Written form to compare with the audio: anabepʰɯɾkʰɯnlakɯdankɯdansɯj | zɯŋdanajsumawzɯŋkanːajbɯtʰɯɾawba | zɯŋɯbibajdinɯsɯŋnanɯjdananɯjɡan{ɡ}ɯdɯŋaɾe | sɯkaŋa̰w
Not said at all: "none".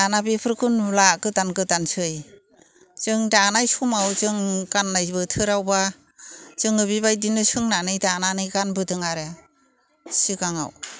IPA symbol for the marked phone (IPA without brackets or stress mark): b